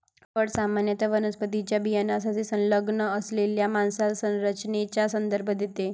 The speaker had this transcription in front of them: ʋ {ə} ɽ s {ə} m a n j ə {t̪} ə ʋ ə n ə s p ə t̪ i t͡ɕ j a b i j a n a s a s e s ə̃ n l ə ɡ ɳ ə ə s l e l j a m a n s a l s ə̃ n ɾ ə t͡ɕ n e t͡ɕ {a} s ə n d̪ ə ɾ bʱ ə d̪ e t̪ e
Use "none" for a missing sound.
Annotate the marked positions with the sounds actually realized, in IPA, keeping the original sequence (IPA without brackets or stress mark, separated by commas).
ə, a, t̪, a